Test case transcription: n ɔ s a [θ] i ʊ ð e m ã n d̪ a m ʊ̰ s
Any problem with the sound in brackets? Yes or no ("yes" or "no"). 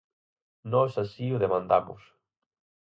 yes